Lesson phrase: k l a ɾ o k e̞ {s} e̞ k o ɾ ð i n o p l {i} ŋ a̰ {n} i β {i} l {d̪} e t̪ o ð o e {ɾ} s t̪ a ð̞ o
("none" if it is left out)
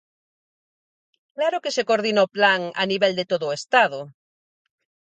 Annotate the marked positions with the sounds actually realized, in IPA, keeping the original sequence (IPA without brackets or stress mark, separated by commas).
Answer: s, a, n, e, d̪, none